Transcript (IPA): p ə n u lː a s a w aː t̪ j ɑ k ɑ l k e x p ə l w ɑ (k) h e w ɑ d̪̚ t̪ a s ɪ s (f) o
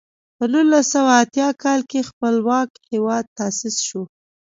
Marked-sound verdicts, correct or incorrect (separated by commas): correct, incorrect